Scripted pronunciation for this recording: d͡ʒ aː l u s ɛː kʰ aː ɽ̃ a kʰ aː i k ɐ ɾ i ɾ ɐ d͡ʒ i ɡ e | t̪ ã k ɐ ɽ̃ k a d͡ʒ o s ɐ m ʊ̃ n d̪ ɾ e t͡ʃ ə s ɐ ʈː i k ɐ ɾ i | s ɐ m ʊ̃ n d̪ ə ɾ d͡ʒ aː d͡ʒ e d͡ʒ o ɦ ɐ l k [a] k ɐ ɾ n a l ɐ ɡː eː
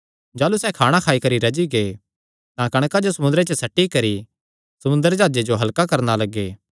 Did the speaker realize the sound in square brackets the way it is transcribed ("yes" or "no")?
yes